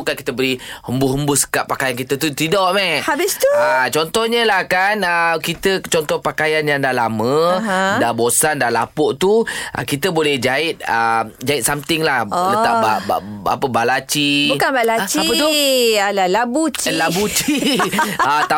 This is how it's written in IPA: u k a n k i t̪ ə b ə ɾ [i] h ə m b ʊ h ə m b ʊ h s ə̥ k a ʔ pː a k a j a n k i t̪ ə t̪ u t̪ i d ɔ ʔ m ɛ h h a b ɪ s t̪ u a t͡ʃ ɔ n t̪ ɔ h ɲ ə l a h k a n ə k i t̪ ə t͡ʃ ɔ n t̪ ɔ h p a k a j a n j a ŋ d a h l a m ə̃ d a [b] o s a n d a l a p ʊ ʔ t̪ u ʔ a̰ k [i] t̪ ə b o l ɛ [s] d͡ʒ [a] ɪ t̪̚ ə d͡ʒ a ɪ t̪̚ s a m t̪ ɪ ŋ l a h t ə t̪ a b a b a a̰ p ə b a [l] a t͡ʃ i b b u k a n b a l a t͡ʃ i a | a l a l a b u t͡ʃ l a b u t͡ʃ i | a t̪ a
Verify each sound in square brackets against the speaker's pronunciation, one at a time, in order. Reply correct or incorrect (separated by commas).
correct, correct, correct, incorrect, correct, correct